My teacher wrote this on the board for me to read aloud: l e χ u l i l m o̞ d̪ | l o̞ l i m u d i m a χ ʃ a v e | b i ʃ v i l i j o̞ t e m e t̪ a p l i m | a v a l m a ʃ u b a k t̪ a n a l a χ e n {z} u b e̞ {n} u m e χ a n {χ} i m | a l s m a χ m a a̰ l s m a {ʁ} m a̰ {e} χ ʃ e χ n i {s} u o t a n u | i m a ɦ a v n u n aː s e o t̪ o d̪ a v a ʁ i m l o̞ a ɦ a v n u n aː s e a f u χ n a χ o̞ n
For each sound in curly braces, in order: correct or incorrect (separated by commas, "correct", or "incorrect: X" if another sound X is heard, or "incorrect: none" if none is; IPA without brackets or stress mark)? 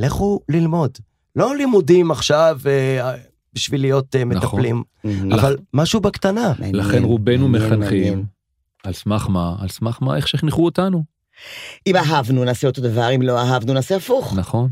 incorrect: ʁ, correct, correct, incorrect: χ, correct, incorrect: χ